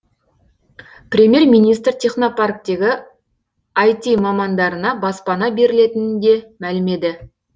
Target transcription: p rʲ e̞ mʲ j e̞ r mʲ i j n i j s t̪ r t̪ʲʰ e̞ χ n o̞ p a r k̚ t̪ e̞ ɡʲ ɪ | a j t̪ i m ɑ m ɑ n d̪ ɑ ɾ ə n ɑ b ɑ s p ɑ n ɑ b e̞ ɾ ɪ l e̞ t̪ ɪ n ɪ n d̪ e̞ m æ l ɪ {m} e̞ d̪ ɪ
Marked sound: correct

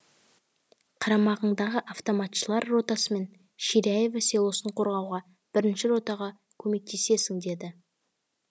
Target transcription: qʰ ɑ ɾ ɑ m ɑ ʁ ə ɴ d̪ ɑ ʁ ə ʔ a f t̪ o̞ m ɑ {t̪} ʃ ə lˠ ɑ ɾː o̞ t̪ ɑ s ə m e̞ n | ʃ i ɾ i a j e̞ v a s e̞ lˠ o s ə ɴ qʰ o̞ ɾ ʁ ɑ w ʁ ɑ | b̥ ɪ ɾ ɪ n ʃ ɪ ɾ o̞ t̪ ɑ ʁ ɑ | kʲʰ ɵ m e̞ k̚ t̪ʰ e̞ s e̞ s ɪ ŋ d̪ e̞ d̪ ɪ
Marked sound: correct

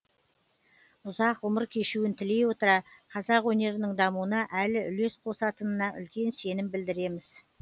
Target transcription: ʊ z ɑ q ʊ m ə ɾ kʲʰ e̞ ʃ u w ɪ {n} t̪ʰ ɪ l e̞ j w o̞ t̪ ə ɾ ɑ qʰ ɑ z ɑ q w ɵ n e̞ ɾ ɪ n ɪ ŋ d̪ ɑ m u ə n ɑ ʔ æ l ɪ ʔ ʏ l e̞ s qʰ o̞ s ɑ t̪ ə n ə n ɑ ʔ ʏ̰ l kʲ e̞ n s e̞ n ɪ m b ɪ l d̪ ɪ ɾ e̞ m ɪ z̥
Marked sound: correct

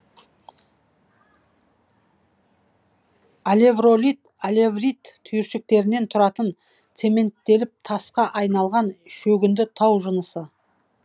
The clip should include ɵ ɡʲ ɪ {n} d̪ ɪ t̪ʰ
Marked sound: correct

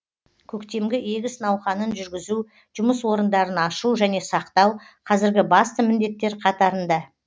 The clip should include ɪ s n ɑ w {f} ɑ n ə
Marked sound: incorrect: χ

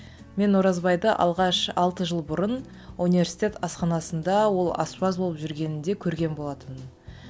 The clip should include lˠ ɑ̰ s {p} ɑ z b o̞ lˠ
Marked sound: correct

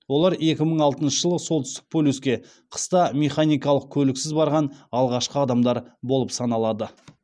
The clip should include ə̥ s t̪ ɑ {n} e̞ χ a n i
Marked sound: incorrect: m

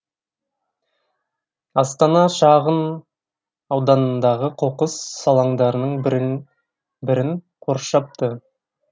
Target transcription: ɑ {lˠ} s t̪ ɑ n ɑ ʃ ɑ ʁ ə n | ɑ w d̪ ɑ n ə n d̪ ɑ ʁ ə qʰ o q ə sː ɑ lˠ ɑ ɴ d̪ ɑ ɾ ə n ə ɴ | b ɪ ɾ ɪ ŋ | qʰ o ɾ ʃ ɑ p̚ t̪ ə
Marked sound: incorrect: none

